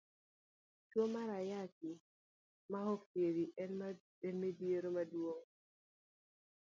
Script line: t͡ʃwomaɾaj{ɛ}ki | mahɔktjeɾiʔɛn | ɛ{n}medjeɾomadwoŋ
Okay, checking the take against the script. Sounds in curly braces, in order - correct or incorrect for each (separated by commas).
incorrect, correct